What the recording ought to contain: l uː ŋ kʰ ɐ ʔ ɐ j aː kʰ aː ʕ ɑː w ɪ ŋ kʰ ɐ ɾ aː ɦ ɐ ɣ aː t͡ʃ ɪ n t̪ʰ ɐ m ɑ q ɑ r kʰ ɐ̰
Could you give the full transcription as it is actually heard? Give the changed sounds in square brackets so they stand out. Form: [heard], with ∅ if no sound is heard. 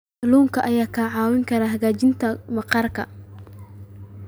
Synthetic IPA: l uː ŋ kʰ ɐ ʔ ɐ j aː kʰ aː ʕ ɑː w ɪ ŋ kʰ ɐ ɾ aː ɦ ɐ ɣ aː t͡ʃ ɪ n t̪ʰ ɐ m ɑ q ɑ r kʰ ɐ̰